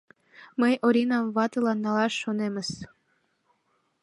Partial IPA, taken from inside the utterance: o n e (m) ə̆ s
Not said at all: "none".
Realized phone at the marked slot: m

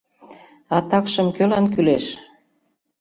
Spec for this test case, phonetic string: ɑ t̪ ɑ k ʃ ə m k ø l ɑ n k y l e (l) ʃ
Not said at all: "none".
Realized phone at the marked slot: none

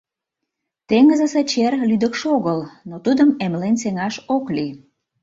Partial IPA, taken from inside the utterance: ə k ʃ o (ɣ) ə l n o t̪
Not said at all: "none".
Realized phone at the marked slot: ɣ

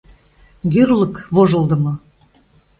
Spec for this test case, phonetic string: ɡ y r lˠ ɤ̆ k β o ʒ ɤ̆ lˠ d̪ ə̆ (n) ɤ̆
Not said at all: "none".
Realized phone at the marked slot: m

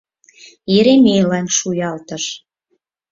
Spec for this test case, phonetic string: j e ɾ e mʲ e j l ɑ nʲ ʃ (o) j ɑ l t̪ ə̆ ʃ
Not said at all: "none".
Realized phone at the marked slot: u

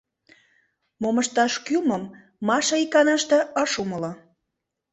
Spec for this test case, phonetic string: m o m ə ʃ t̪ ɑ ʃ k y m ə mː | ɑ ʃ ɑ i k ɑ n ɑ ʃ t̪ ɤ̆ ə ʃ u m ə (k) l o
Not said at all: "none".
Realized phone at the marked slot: none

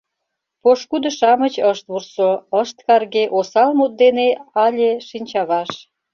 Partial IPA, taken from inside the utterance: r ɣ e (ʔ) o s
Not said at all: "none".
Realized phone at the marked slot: ʔ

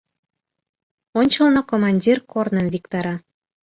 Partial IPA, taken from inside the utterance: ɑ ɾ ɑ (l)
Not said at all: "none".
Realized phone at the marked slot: none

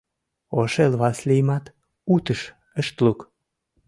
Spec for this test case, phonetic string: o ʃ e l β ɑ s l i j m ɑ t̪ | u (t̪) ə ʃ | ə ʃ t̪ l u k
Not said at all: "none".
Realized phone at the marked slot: t̪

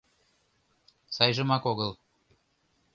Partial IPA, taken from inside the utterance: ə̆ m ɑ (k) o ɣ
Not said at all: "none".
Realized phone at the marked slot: k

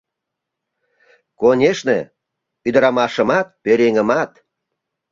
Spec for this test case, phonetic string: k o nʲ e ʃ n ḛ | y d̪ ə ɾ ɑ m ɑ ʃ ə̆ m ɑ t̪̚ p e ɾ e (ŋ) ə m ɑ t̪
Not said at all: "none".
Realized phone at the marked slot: ŋ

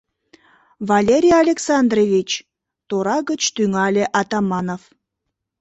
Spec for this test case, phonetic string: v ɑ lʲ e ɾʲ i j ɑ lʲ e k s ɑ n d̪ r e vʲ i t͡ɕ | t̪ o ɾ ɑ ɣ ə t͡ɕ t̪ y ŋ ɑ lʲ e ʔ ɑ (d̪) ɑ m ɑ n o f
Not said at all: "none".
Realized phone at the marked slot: t̪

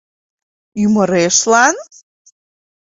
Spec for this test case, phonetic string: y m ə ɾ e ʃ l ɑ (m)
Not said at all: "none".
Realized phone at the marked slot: n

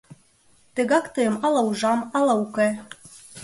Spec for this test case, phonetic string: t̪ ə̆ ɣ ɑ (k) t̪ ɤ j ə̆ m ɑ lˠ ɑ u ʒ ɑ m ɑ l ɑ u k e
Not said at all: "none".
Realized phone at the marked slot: k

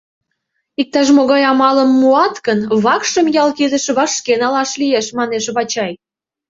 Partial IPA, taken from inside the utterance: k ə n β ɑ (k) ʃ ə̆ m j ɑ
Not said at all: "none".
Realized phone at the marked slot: k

